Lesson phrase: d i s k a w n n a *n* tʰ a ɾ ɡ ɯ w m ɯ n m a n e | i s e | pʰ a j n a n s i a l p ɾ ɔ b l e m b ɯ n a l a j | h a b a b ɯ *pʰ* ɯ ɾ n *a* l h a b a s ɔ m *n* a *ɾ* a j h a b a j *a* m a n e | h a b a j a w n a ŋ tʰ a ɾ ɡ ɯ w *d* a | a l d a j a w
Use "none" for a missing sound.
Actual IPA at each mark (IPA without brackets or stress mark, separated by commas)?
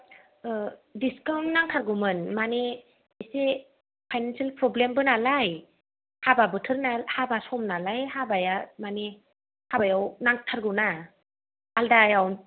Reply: ŋ, tʰ, a, n, l, a, n